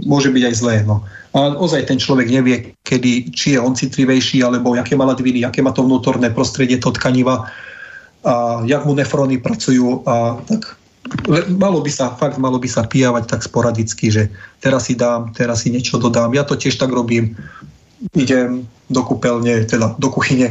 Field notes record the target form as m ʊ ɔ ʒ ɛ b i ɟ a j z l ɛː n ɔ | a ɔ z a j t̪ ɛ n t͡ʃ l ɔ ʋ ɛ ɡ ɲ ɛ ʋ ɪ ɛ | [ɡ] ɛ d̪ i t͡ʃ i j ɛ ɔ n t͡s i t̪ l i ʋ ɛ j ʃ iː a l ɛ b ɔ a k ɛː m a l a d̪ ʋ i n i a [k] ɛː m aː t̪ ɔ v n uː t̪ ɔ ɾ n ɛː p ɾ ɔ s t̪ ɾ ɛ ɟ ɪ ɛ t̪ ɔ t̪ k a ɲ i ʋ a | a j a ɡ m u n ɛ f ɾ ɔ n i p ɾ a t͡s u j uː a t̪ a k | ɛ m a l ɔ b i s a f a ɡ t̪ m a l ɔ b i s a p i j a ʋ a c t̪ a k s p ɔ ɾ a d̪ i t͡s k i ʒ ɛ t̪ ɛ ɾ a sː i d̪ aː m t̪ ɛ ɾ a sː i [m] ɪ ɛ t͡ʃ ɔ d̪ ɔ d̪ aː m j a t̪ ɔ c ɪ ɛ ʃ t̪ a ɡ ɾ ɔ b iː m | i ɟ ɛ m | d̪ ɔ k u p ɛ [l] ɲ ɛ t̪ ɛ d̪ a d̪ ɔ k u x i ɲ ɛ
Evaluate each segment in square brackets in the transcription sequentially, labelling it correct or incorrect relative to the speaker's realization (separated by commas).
incorrect, correct, incorrect, correct